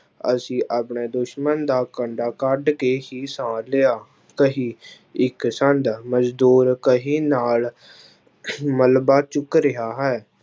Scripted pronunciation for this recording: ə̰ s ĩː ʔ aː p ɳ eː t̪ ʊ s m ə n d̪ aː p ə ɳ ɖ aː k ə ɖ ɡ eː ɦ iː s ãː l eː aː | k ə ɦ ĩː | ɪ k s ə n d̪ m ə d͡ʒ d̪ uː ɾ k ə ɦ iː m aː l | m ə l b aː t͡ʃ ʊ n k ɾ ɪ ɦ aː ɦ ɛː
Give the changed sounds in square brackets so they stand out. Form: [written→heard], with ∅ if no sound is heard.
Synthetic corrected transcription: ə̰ s ĩː ʔ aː p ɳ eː [t̪→d̪] ʊ [s→ʃ] m ə n d̪ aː [p→k] ə ɳ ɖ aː k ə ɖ [ɡ→k] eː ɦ iː s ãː l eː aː | k ə ɦ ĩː | ɪ k s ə n d̪ m ə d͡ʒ d̪ uː ɾ k ə ɦ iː [m→n] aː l | m ə l b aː t͡ʃ ʊ [n→∅] k ɾ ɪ ɦ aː ɦ ɛː